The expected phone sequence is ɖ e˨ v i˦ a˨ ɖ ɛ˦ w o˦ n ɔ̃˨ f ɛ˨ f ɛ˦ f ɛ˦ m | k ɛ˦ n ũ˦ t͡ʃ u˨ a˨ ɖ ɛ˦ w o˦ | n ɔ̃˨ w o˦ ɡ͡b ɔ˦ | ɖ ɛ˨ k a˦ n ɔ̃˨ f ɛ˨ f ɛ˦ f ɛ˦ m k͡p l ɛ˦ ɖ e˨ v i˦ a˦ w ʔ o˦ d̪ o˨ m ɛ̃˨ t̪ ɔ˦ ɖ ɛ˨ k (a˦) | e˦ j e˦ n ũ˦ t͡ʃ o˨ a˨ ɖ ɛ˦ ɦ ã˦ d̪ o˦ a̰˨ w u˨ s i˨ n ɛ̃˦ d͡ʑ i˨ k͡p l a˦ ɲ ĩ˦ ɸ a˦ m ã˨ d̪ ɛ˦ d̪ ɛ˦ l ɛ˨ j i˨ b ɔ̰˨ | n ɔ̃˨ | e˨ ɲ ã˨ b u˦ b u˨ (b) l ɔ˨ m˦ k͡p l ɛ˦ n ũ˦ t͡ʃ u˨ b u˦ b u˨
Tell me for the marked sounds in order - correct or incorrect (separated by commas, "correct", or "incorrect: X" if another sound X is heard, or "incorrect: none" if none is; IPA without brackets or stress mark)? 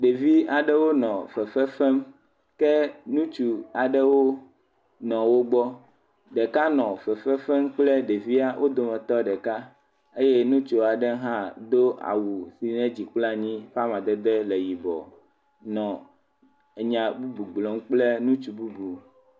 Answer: correct, incorrect: ɡ͡b